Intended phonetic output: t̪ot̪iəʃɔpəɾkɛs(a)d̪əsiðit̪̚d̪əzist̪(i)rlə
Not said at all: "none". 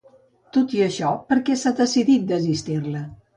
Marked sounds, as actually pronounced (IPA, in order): a, i

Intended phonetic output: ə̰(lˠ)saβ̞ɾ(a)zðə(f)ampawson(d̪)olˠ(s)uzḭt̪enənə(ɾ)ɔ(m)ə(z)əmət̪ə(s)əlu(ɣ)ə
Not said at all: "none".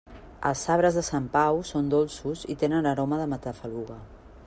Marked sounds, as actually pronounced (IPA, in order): lˠ, ə, s, d̪, s, ɾ, m, ð, f, ɣ

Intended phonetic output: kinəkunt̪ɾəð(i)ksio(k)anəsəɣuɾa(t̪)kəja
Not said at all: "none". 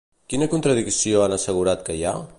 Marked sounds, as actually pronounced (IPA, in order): i, none, t̪

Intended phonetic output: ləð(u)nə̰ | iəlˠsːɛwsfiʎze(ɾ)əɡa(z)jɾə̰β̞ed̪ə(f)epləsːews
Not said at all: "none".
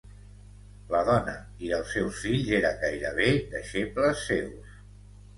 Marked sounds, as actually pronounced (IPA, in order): ɔ, ɾ, none, ʃ

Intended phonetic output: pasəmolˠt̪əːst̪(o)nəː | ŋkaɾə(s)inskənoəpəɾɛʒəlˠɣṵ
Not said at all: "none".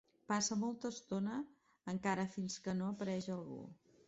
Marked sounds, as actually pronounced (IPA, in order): o, f

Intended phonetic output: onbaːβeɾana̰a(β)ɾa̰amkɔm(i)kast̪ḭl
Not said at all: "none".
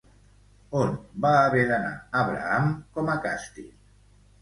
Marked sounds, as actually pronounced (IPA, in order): β, a

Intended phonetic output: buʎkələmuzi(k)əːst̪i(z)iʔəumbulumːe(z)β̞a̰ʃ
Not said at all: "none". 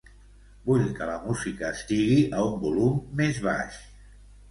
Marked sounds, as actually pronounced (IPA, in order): k, ɣ, z

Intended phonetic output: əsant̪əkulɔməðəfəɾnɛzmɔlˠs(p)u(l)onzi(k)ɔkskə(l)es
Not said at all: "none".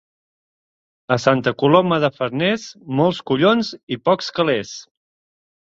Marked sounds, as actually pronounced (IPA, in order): k, ʎ, p, l

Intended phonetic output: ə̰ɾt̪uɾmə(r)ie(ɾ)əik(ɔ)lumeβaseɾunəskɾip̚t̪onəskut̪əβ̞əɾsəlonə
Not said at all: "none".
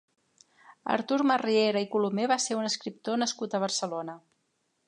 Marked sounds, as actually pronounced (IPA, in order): r, ɾ, u

